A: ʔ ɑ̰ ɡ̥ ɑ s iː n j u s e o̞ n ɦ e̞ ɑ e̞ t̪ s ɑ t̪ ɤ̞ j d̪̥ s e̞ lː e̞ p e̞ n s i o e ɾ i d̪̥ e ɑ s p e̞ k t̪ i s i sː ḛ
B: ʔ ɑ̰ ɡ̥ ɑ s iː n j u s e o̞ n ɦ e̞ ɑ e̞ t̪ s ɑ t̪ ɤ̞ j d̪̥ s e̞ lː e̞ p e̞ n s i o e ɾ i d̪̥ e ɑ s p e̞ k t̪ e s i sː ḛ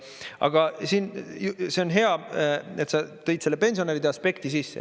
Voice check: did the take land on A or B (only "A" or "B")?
A